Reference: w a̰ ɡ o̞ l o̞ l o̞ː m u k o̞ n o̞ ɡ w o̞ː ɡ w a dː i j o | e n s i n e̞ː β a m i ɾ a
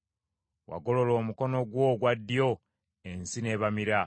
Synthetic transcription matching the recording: w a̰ ɡ o̞ l o̞ l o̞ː m u k o̞ n o̞ ɡ w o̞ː ɡ w a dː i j o | e n s i n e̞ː β a m i ɾ a

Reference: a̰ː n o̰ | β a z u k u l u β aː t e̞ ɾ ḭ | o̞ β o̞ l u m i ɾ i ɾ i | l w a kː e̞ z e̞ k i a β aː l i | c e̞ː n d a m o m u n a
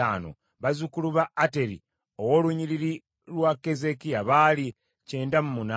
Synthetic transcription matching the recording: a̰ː n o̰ | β a z u k u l u β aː t e̞ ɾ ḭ | o̞ w o̞ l u ɲ i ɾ i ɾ i | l w a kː e̞ z e̞ k i a β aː l i | c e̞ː n d a m u m u n a

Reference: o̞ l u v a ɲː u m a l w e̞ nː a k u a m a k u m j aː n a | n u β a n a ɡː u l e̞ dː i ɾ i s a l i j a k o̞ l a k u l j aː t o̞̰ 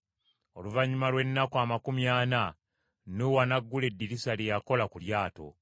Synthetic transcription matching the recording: o̞ l u v a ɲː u m a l w e̞ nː a k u a m a k u m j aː n a | n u w a n a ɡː u l e̞ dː i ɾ i s a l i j a k o̞ l a k u l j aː t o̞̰

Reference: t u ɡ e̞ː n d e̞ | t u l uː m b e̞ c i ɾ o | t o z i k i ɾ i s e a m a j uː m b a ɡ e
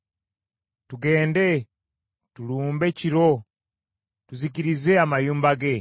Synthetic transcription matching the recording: t u ɡ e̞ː n d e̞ | t u l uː m b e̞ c i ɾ o | t u z i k i ɾ i z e a m a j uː m b a ɡ e

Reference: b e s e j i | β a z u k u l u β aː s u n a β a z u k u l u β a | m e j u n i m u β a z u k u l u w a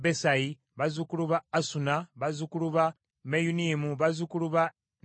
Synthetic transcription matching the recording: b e s a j i | β a z u k u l u β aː s u n a β a z u k u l u β a | m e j u n i m u β a z u k u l u β a

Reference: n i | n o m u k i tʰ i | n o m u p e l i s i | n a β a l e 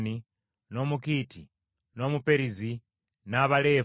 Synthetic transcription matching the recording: n i | n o m u k i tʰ i | n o m u p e ɾ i z i | n a β a l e

